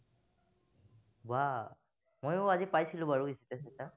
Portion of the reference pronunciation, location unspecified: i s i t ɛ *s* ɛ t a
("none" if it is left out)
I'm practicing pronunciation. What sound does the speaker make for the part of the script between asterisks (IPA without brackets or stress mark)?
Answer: s